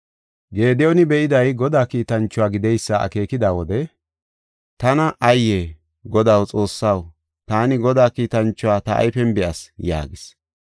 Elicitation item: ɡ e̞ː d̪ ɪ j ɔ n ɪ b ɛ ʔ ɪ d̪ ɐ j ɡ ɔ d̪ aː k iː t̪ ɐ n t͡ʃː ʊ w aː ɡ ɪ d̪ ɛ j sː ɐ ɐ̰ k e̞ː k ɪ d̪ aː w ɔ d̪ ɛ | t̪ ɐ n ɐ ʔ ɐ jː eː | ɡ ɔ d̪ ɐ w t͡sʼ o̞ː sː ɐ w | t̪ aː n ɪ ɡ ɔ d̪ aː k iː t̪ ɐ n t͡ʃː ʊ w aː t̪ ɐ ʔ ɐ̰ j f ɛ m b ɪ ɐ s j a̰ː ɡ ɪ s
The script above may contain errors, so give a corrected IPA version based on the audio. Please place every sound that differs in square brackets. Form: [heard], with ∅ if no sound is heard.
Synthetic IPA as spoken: ɡ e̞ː d̪ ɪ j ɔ n ɪ b ɛ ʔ ɪ d̪ ɐ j ɡ ɔ d̪ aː k iː t̪ ɐ n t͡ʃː ʊ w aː ɡ ɪ d̪ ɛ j sː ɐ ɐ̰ k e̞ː k ɪ d̪ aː w ɔ d̪ ɛ | t̪ ɐ n ɐ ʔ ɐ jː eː | ɡ ɔ d̪ ɐ w t͡sʼ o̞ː sː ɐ w | t̪ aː n ɪ ɡ ɔ d̪ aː k iː t̪ ɐ n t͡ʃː ʊ w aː t̪ ɐ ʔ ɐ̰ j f ɛ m b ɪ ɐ s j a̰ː ɡ ɪ s

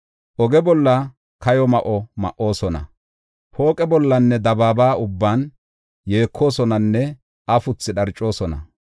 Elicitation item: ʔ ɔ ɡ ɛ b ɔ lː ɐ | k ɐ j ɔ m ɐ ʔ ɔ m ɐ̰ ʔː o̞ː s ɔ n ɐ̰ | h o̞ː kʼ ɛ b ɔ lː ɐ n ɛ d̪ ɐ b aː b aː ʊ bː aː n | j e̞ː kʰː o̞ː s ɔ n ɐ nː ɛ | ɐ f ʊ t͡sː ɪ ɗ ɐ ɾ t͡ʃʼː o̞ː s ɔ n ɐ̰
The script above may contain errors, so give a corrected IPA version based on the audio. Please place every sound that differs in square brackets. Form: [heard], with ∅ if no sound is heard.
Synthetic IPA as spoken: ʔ ɔ ɡ ɛ b ɔ lː ɐ | k ɐ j ɔ m ɐ ʔ ɔ m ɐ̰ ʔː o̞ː s ɔ n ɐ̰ | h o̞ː kʼ ɛ b ɔ lː ɐ [nː] ɛ d̪ ɐ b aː b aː ʊ bː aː n | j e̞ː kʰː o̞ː s ɔ n ɐ nː ɛ | ɐ f ʊ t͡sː ɪ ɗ ɐ ɾ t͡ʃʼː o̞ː s ɔ n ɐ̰

